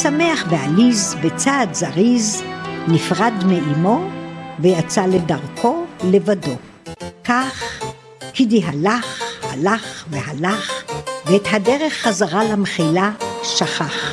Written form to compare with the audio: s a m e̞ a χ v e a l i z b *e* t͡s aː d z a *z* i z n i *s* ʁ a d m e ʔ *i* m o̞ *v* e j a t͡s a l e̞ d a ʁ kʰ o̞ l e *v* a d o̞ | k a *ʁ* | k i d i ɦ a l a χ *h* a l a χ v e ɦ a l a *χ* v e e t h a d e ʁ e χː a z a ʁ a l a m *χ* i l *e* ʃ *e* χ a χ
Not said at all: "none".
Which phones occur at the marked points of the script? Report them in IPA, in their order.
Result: e, ʁ, f, i, v, v, χ, h, χ, χ, a, a

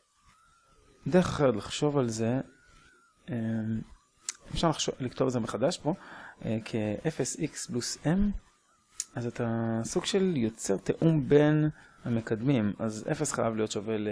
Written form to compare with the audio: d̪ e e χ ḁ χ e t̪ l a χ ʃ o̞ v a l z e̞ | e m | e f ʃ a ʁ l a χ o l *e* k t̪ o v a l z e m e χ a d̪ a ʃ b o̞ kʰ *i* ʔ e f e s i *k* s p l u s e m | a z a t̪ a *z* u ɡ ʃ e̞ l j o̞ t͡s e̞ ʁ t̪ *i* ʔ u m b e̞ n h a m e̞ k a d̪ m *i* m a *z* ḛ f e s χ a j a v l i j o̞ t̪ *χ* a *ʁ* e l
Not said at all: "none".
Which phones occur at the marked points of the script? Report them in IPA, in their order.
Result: i, e, k, s, e, i, z, ʃ, v

